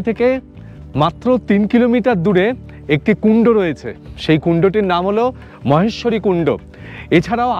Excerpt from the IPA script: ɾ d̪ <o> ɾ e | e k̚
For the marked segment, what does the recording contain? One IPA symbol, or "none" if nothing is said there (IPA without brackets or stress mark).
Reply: u